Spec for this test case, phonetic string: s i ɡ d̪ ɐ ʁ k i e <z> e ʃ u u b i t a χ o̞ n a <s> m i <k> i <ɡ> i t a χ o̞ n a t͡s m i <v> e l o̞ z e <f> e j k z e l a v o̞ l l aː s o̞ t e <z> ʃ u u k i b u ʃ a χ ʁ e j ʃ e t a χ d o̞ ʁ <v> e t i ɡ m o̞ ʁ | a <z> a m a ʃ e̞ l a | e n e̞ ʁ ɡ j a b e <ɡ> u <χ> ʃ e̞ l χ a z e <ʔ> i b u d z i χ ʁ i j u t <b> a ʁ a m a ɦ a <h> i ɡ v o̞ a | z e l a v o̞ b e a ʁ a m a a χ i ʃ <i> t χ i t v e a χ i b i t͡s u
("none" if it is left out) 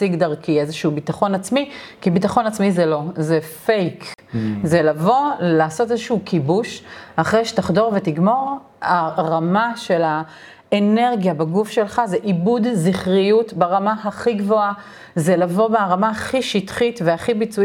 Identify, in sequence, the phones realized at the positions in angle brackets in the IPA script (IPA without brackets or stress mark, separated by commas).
z, t͡s, k, b, z, f, z, v, ʁ, ɡ, f, ʔ, b, χ, i